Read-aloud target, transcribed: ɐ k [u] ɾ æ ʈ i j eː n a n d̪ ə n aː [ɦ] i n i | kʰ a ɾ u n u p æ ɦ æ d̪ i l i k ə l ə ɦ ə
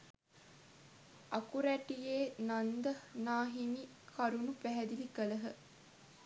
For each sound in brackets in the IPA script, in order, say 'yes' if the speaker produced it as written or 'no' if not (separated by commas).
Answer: yes, yes